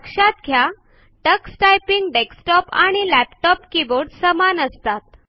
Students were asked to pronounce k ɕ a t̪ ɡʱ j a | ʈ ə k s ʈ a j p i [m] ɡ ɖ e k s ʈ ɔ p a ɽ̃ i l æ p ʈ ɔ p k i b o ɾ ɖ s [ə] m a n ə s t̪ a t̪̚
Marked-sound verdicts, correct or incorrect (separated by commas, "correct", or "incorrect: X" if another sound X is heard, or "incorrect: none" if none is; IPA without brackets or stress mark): incorrect: ŋ, correct